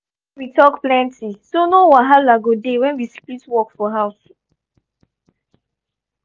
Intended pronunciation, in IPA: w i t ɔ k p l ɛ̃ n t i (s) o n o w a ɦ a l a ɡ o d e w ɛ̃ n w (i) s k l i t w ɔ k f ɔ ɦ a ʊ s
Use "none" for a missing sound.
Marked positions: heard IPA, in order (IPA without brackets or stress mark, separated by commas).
s, i